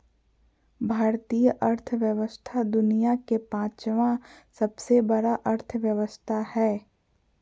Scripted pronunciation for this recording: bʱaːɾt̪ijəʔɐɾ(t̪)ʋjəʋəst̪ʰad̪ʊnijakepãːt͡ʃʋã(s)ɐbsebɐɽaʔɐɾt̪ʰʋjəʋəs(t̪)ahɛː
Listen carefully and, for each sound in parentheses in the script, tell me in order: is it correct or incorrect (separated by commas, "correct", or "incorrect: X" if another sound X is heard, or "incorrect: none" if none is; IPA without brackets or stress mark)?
incorrect: t̪ʰ, correct, incorrect: t̪ʰ